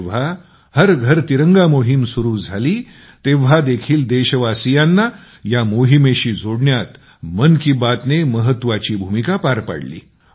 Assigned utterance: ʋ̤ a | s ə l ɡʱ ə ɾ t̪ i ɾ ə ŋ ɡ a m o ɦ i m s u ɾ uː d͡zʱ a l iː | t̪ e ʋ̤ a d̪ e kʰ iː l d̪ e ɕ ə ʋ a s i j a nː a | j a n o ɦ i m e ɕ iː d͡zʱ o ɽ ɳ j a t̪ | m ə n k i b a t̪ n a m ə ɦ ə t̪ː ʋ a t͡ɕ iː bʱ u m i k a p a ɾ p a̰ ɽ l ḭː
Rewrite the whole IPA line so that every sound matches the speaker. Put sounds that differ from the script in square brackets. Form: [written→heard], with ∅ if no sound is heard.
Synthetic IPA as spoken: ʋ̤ a | [s→h] ə [l→ɾ] ɡʱ ə ɾ t̪ i ɾ ə ŋ ɡ a m o ɦ i m s u ɾ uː d͡zʱ a l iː | t̪ e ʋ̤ a d̪ e kʰ iː l d̪ e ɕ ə ʋ a s i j a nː a | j a [n→m] o ɦ i m e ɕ iː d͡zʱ o ɽ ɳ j a t̪ | m ə n k i b a t̪ n [a→e] m ə ɦ ə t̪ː ʋ a t͡ɕ iː bʱ u m i k a p a ɾ p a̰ ɽ l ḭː